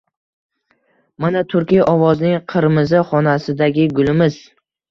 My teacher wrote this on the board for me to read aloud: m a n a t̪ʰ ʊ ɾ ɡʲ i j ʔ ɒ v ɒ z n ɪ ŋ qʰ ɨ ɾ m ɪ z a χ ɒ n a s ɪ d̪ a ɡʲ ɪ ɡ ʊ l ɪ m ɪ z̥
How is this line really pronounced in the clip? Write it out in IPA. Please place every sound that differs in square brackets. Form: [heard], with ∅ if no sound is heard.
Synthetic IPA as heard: m a n a t̪ʰ ʊ ɾ [kʲ] i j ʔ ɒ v ɒ z n ɪ ŋ qʰ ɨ ɾ m ɪ z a χ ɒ n a s ɪ d̪ a ɡʲ ɪ ɡ ʊ l ɪ m ɪ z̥